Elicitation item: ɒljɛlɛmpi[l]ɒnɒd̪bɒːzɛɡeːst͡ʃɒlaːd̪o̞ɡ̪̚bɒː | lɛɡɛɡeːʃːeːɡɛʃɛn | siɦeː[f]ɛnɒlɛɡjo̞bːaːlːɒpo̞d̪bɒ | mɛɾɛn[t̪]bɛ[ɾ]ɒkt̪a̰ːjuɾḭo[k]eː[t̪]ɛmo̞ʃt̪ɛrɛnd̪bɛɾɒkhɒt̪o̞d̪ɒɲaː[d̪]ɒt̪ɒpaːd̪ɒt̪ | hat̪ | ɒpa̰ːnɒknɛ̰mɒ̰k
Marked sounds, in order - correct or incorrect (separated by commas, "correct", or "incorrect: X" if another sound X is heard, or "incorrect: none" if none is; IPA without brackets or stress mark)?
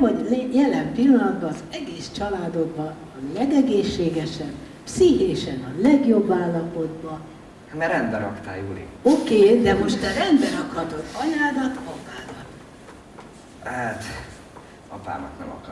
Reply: incorrect: lː, incorrect: ʃ, incorrect: d̪, correct, correct, incorrect: d̪, correct